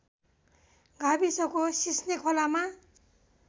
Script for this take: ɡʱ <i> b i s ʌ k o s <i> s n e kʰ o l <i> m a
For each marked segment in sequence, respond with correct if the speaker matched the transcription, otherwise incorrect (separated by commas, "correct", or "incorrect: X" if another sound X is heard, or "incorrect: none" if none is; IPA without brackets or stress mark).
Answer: incorrect: a, correct, incorrect: a